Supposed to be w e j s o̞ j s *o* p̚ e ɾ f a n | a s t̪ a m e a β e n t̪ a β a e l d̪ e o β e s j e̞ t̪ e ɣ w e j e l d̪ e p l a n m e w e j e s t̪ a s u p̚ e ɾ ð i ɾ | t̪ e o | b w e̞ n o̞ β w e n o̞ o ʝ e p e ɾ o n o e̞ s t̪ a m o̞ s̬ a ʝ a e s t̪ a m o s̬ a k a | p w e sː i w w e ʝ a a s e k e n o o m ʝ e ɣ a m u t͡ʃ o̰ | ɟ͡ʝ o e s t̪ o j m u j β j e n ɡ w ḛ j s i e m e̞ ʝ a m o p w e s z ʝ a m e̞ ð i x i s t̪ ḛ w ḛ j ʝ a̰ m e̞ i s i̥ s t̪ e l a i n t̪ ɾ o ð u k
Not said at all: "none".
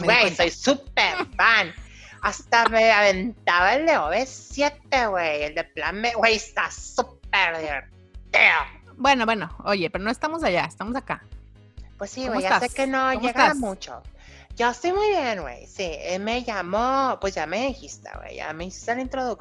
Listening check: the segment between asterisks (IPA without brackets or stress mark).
u